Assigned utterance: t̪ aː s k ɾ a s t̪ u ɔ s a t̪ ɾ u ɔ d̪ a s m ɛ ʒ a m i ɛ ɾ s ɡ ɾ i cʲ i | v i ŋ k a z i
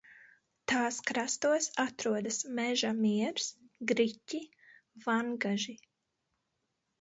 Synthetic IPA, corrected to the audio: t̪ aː s k ɾ a s t̪ u ɔ s a t̪ ɾ u ɔ d̪ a s m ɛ ʒ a m i ɛ ɾ s ɡ ɾ i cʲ i | v a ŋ ɡ a ʒ i